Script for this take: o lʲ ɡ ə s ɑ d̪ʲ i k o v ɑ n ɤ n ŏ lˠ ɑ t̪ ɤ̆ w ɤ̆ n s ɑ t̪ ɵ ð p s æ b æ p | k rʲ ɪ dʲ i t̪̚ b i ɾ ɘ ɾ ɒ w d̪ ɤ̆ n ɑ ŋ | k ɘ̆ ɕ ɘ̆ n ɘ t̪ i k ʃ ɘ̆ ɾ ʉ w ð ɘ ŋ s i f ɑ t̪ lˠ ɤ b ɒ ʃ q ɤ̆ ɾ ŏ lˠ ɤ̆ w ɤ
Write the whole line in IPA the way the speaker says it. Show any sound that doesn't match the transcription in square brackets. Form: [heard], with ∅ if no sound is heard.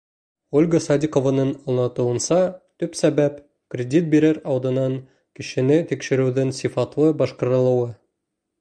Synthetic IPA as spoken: o lʲ ɡ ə s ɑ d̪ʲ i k o v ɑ n ɤ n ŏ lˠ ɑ t̪ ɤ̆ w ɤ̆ n s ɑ t̪ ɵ [∅] p s æ b æ p | k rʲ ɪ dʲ i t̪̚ b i ɾ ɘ ɾ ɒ w d̪ ɤ̆ n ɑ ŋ | k ɘ̆ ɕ ɘ̆ n ɘ t̪ i k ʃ ɘ̆ ɾ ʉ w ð ɘ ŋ s i f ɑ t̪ lˠ ɤ b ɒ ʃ q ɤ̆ ɾ [ɤ̆] lˠ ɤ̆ w ɤ